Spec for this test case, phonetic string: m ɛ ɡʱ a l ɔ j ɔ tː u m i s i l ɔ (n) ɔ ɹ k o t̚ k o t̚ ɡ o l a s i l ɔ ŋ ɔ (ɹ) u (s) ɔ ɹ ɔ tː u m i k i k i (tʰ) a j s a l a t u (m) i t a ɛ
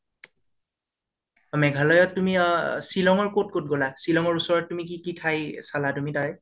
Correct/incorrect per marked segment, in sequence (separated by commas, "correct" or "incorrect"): incorrect, correct, correct, correct, correct